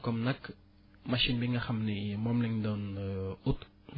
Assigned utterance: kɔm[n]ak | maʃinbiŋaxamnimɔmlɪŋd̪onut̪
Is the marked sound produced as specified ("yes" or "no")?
yes